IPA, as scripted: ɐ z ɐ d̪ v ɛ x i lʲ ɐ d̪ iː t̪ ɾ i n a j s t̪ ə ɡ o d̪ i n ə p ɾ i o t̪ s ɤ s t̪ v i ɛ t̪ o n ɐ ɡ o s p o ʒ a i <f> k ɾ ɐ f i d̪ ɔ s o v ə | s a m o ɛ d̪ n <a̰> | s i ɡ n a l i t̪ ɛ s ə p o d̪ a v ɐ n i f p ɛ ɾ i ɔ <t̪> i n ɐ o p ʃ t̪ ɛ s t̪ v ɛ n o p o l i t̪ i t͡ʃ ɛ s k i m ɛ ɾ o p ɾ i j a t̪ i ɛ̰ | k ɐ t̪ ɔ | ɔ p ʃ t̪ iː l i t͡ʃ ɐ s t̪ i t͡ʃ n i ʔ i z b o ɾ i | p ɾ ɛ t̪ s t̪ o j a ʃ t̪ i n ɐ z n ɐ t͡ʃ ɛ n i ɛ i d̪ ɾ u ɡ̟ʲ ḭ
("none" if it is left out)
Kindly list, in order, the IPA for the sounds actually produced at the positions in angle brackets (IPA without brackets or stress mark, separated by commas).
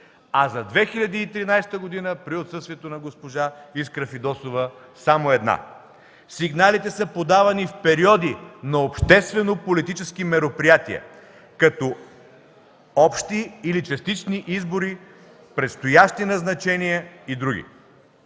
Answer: s, a̰, d̪